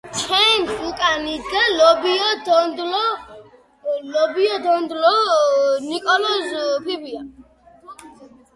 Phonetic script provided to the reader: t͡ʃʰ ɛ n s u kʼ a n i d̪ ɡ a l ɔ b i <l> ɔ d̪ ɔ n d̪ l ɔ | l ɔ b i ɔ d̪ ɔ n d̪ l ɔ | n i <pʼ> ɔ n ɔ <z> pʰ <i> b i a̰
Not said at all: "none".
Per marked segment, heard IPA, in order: none, kʼ, z, i

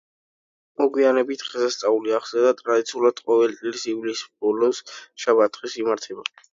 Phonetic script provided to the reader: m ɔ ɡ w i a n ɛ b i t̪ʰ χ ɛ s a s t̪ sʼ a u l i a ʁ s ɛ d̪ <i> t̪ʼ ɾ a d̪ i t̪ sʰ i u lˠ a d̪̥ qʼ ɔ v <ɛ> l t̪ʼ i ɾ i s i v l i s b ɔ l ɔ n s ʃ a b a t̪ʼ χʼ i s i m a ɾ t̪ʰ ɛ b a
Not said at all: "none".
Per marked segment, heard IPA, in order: a, ɛ

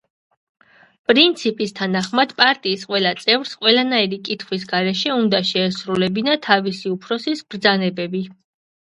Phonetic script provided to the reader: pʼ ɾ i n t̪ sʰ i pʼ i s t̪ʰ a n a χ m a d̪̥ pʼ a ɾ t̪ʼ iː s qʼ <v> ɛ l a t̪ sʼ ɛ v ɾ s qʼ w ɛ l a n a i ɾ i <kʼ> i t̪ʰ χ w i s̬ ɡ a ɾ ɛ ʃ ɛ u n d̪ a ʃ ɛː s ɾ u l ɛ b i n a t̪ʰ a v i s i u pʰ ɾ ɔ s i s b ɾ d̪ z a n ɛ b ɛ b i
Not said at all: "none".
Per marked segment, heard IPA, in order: w, kʼ

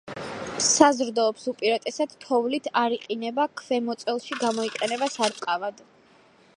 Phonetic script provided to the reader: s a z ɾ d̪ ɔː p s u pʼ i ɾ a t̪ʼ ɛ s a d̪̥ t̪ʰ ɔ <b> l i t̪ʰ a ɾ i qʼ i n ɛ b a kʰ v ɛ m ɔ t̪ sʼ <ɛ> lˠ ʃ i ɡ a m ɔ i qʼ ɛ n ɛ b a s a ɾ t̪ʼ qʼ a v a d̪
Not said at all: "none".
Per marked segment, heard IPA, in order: v, ɛ

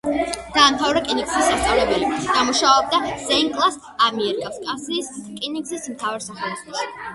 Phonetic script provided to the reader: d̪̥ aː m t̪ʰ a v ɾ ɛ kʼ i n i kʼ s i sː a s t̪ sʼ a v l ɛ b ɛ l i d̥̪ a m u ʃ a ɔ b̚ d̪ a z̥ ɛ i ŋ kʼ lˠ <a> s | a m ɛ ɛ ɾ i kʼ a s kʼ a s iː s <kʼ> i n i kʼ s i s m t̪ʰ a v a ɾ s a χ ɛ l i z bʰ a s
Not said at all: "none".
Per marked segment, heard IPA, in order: a, kʼ

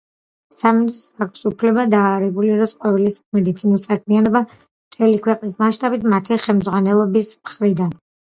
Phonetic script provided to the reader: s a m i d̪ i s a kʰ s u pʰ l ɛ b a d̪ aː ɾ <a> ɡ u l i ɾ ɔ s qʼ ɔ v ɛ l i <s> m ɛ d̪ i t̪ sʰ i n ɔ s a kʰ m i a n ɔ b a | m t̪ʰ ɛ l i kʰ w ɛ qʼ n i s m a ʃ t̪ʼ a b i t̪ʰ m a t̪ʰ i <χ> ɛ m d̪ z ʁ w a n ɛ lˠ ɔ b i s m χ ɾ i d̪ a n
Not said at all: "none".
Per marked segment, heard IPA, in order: ɛ, s, χ

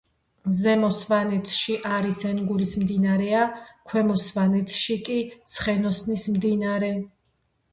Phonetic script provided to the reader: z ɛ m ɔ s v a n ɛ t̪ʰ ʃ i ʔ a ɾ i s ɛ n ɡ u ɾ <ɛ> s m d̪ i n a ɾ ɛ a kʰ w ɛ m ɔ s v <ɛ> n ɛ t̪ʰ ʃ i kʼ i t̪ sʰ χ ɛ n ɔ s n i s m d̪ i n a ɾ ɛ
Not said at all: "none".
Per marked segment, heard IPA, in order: i, a

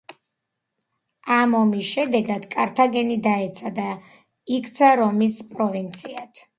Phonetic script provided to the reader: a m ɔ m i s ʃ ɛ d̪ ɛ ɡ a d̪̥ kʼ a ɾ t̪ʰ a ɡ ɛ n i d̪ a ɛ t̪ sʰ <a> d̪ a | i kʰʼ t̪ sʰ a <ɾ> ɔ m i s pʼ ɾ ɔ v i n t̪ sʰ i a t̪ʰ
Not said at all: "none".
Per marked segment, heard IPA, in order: a, ɾ

